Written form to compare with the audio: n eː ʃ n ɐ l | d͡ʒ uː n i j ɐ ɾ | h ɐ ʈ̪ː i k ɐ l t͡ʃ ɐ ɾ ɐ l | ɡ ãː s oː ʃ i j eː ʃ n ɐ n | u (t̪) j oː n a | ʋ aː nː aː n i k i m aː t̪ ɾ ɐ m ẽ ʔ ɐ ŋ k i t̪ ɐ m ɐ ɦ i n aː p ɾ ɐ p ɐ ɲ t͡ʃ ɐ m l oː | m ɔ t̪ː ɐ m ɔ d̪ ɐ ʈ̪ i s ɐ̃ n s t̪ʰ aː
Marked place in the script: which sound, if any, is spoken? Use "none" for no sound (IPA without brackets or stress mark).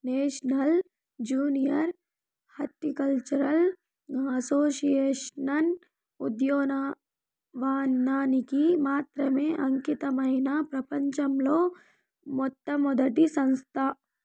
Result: d̪